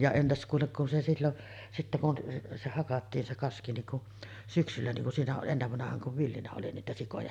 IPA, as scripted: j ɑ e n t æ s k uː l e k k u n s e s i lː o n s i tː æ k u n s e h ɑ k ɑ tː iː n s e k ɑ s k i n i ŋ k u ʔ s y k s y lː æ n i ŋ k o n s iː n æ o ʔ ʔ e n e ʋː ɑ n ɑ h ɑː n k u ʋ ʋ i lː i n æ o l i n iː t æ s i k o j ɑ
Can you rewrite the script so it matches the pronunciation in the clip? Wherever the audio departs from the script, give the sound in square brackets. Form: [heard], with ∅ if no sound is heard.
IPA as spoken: j ɑ e n t æ s k uː l e k k u n s e s i lː o n s i tː æ k u n s e h ɑ k ɑ tː iː n s e k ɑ s k i n i ŋ k u ʔ s y k s y lː æ n i ŋ k [u] n s iː n æ o ʔ ʔ e [nː] e ʋː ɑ n ɑ h ɑː [ŋ] k u ʋ ʋ i lː i n æ o l i n iː t æ s i k o j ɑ